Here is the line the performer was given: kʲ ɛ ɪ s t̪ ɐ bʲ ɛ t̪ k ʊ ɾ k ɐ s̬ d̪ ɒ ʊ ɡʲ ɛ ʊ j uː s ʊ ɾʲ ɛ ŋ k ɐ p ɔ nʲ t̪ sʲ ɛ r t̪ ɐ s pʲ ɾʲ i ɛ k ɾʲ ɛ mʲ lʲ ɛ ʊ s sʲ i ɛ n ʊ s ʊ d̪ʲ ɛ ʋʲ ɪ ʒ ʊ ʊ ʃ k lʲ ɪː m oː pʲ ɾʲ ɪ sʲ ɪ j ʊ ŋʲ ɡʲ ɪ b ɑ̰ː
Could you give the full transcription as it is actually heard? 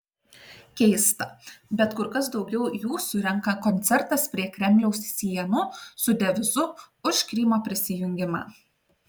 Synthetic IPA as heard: kʲ ɛ ɪ s t̪ ɐ bʲ ɛ t̪ k ʊ ɾ k ɐ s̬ d̪ ɒ ʊ ɡʲ ɛ ʊ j uː s ʊ ɾʲ ɛ ŋ k ɐ k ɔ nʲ t̪ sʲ ɛ ɾ t̪ ɐ s pʲ ɾʲ i ɛ k ɾʲ ɛ mʲ lʲ ɛ ʊ s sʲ i ɛ n ʊ s ʊ d̪ʲ ɛ ʋʲ ɪ z ʊ ʊ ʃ k ɾʲ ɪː m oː pʲ ɾʲ ɪ sʲ ɪ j ʊ ŋʲ ɡʲ ɪ m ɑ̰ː